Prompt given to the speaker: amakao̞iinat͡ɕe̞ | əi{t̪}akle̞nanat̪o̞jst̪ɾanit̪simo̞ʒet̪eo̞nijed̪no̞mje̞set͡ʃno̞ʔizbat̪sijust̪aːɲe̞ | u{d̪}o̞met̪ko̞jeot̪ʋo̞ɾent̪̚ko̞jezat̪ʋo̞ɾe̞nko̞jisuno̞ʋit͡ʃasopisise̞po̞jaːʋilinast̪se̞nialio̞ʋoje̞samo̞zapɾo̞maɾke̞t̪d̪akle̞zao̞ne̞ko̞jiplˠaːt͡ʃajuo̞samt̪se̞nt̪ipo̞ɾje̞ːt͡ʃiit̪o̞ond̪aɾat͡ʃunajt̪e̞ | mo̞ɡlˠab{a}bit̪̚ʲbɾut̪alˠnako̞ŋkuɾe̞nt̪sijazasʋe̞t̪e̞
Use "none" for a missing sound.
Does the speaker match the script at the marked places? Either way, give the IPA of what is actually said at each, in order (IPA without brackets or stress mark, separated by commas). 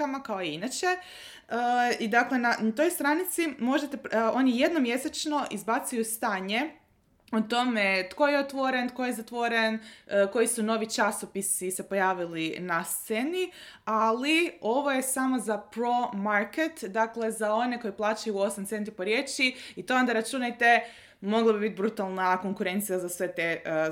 d̪, t̪, i